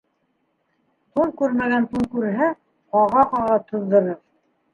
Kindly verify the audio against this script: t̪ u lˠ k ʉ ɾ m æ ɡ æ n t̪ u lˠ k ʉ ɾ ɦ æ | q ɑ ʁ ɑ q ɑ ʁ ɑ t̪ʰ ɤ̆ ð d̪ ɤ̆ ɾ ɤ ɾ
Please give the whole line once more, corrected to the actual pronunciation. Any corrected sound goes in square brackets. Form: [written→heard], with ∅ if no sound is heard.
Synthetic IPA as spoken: t̪ u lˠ k ʉ ɾ m æ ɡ æ n t̪ u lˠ k ʉ ɾ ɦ æ | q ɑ ʁ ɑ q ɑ ʁ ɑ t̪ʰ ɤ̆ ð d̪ ɤ̆ ɾ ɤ ɾ